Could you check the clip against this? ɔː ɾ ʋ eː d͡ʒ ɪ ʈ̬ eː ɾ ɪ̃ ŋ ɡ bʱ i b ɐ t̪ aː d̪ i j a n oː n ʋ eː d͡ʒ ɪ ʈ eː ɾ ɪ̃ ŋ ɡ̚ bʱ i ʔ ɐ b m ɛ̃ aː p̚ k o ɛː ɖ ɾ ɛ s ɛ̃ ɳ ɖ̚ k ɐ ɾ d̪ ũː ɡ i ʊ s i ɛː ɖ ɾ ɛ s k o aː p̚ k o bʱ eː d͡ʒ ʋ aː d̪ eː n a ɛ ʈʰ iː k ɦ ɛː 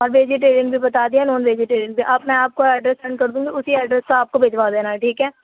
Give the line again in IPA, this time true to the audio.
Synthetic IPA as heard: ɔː ɾ ʋ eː d͡ʒ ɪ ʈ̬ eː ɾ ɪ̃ ŋ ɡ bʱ i b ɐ t̪ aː d̪ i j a n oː n ʋ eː d͡ʒ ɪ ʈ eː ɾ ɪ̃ ŋ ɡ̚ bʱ i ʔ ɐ b m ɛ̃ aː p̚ k o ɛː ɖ ɾ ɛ s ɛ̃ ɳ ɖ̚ k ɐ ɾ d̪ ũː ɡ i ʊ s i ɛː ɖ ɾ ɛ s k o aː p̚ k o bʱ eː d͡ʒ ʋ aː d̪ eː n a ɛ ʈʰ iː k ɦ ɛː